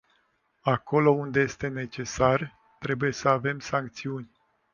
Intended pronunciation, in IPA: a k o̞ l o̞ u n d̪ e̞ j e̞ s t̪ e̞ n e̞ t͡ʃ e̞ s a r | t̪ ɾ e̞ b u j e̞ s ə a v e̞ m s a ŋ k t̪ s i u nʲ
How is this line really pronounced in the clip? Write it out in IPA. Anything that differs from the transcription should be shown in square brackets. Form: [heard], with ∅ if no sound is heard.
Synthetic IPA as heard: a k o̞ l o̞ u n d̪ e̞ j e̞ s t̪ e̞ n e̞ t͡ʃ e̞ s a r | t̪ ɾ e̞ b u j e̞ s ə a v e̞ m s a ŋ k t̪ s i u nʲ